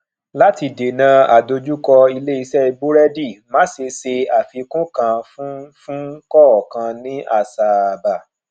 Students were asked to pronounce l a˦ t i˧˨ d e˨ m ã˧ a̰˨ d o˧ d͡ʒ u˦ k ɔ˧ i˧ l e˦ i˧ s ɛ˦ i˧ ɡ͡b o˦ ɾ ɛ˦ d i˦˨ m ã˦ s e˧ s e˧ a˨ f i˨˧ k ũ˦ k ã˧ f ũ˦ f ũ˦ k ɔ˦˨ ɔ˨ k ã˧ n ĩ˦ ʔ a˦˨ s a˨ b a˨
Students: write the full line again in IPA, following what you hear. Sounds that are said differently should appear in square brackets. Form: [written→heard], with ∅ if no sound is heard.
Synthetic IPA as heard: l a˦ t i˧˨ d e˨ [m→n] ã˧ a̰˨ d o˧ d͡ʒ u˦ k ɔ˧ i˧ l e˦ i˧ s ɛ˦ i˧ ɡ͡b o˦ ɾ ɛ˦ d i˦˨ m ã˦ s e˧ s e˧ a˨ f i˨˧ k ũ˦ k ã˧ f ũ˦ f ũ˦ k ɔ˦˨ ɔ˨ k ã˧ n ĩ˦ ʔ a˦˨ s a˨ b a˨

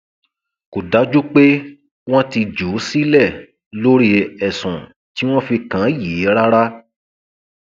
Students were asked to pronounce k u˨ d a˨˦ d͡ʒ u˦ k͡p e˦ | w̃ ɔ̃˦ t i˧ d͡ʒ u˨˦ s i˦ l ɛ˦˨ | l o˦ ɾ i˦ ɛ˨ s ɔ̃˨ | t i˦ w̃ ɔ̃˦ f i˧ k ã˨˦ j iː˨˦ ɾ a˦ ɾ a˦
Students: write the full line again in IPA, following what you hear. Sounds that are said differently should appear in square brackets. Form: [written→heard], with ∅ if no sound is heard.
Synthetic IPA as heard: k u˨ d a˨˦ d͡ʒ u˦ k͡p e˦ | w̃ ɔ̃˦ t i˧ d͡ʒ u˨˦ s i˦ l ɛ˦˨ | l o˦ ɾ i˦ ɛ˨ s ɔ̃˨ | t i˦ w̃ ɔ̃˦ f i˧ k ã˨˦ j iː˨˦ ɾ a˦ ɾ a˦

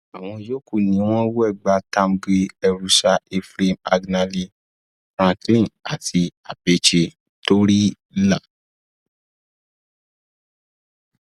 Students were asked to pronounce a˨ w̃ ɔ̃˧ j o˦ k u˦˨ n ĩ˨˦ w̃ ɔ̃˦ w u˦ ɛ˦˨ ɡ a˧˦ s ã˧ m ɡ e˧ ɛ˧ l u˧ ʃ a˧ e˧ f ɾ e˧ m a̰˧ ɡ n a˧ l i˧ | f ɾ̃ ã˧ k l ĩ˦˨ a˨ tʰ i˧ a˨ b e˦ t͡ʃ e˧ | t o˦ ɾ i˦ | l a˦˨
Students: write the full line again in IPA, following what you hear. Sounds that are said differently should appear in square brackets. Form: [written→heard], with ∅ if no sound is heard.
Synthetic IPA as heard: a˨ w̃ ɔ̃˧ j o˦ k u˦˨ n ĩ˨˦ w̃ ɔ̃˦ w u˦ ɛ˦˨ [ɡ→ɡ͡b] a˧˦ [s→t] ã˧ m ɡ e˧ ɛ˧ [l→ɾ] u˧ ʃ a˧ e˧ f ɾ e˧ m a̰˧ ɡ n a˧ l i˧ | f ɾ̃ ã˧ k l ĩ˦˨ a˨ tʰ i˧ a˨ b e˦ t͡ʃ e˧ | t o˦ ɾ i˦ | l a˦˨

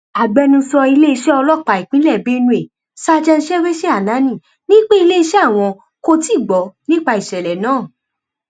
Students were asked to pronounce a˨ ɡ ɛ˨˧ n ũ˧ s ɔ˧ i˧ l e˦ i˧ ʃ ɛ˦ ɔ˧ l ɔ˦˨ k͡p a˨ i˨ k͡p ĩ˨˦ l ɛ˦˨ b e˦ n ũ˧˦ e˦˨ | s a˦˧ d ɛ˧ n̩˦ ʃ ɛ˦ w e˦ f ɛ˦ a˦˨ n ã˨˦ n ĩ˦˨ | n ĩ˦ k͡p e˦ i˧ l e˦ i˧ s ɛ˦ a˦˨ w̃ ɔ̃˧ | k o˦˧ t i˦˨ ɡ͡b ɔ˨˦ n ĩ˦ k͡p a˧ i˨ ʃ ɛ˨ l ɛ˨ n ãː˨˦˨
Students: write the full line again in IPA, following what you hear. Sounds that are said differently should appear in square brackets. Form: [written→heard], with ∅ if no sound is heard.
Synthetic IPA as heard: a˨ [ɡ→ɡ͡b] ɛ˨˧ n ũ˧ s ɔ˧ i˧ l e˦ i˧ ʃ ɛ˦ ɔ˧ l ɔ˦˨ k͡p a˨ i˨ k͡p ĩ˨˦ l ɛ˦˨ b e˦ n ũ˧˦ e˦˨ | s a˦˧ [d→d͡ʒ] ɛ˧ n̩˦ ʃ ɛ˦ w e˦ [f→ʃ] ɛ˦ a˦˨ n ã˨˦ n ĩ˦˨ | n ĩ˦ k͡p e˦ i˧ l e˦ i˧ [s→ʃ] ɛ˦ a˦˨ w̃ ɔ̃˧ | k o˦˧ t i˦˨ ɡ͡b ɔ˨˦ n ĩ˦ k͡p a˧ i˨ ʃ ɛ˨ l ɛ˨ n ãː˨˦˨

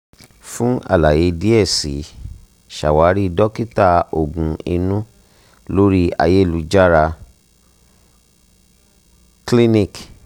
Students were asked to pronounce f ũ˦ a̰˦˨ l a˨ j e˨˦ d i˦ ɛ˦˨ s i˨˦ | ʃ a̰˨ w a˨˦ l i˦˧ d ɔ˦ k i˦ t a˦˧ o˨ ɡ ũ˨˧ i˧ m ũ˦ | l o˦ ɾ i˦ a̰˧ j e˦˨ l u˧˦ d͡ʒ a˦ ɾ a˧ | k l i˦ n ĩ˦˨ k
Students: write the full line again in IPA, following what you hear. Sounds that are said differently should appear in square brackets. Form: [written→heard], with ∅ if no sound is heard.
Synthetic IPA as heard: f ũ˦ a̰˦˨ l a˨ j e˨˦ d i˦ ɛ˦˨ s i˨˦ | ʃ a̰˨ w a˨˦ [l→ɾ] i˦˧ d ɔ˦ k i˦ t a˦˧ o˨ ɡ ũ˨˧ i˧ [m→n] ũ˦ | l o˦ ɾ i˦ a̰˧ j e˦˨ l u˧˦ d͡ʒ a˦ ɾ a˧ | k l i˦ n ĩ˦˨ k

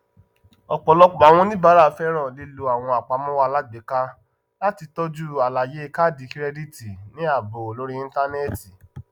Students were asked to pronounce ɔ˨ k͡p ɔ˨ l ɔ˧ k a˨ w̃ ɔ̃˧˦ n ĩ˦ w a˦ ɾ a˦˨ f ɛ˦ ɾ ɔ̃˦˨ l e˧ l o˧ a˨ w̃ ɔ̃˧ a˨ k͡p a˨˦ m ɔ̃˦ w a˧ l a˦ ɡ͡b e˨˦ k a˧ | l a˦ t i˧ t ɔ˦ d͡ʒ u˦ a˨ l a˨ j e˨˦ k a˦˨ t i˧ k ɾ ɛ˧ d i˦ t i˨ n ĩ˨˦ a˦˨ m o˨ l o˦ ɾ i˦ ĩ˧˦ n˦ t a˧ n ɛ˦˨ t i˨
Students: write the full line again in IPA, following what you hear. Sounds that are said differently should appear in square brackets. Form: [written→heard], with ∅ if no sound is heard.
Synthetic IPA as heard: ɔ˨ k͡p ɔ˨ l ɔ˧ [k→k͡p] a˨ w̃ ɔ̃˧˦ n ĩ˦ [w→b] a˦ ɾ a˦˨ f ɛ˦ ɾ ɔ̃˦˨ l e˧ l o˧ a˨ w̃ ɔ̃˧ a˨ k͡p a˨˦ m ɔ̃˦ w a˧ l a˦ ɡ͡b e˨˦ k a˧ | l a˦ t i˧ t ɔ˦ d͡ʒ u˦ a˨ l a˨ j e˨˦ k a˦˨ [t→d] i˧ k ɾ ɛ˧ d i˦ t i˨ n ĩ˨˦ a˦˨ [m→b] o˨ l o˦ ɾ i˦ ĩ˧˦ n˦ t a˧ n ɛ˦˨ t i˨

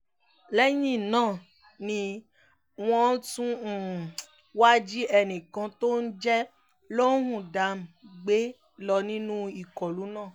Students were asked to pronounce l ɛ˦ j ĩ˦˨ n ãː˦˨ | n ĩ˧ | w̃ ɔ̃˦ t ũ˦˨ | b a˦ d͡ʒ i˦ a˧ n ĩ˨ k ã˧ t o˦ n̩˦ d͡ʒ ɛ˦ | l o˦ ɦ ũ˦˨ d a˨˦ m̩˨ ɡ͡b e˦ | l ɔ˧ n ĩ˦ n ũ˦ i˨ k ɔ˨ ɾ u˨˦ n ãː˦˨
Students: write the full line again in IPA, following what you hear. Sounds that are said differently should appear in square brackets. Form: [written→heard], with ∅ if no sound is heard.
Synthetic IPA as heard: l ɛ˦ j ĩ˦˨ n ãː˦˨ | n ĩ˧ | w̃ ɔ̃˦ t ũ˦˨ | [b→w] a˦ d͡ʒ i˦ [a˧→ɛ˧] n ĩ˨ k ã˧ t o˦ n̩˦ d͡ʒ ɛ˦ | l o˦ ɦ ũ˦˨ d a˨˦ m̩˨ ɡ͡b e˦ | l ɔ˧ n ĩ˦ n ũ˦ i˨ k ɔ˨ [ɾ→l] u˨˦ n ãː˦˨

